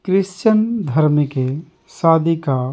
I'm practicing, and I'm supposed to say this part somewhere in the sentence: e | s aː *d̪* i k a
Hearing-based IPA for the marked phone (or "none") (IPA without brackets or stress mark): d̪